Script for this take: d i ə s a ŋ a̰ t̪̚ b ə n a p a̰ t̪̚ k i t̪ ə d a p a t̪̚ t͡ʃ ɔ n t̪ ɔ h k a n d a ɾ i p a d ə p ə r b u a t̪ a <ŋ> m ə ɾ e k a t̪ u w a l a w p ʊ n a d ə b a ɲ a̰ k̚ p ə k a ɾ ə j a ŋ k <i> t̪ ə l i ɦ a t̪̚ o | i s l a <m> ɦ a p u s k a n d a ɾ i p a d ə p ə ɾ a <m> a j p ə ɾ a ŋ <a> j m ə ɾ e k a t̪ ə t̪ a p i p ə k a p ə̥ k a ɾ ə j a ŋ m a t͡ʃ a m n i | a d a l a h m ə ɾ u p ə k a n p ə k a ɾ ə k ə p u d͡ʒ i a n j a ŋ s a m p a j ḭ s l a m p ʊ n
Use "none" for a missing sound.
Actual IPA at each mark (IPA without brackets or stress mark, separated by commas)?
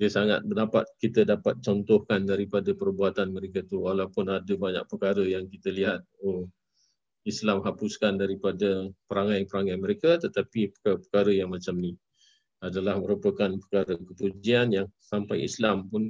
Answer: n, i, m, ŋ, a